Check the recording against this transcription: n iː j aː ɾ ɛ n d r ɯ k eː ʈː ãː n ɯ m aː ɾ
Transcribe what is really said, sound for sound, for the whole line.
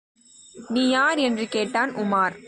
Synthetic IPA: n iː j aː ɾ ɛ n d r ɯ k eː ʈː aː n ʊ m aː ɾ